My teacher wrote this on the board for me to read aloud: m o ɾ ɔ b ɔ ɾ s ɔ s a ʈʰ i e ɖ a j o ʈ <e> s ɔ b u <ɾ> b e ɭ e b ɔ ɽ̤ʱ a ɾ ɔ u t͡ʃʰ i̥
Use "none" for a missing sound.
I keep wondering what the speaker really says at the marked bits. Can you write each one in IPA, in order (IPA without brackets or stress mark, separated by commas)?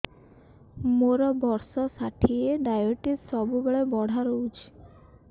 i, none